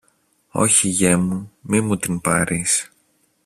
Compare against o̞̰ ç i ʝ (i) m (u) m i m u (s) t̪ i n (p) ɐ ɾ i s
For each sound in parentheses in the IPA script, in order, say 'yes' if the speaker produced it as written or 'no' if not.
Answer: no, yes, no, yes

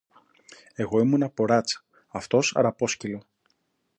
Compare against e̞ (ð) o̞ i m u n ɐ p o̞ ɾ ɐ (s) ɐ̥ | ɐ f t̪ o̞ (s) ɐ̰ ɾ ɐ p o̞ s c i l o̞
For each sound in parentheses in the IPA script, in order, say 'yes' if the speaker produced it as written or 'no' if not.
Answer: no, no, yes

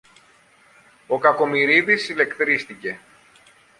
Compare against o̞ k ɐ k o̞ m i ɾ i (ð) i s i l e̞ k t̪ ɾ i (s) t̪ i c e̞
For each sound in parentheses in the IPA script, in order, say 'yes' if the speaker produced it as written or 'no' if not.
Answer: yes, yes

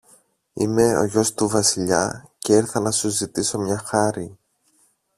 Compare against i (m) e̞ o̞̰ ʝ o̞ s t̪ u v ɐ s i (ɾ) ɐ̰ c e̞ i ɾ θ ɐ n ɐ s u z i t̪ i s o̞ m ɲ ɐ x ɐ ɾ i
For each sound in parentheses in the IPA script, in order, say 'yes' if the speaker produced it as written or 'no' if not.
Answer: yes, no

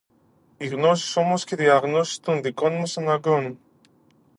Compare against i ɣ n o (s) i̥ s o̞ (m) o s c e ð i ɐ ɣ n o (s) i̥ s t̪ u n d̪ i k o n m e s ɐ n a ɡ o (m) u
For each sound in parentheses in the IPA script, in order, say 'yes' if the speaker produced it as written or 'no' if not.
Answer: yes, yes, yes, no

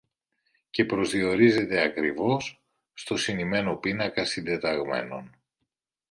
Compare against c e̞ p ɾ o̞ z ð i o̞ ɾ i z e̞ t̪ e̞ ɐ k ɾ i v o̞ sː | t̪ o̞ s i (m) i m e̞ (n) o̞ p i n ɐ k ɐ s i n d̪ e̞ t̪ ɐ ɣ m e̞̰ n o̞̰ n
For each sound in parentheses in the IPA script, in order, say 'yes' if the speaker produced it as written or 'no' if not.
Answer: no, yes

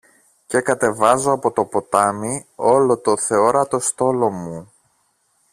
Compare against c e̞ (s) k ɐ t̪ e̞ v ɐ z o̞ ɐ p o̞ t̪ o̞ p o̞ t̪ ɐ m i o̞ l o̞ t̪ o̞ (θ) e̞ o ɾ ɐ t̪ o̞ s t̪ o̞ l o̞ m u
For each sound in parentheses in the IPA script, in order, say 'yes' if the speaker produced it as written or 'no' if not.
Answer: no, yes

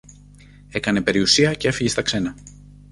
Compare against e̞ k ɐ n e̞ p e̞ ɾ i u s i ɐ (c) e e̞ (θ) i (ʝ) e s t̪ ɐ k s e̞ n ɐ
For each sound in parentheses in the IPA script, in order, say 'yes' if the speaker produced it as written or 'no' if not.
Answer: yes, no, yes

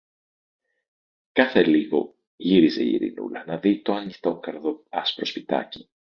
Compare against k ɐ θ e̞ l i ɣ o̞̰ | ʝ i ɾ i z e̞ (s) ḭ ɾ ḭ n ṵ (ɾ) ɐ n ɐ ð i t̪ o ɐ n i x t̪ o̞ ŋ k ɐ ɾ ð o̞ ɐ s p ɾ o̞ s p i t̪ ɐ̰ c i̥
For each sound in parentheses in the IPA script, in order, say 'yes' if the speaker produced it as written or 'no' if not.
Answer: no, no

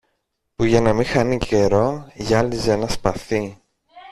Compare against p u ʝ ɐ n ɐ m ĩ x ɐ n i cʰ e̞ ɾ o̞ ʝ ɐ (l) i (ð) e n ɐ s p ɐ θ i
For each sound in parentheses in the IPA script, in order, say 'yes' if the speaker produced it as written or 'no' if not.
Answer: yes, no

